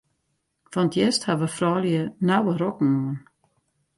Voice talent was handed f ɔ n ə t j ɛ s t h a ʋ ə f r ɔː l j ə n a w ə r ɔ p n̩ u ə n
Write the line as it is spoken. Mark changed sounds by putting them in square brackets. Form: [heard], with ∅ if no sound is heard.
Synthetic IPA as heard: f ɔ n ə t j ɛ s t h a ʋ ə f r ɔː l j ə n a w ə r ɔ [k] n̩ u ə n